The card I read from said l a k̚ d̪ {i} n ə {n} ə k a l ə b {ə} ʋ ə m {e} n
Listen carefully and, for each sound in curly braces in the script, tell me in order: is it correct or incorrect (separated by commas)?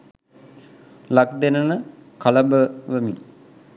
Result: incorrect, correct, correct, incorrect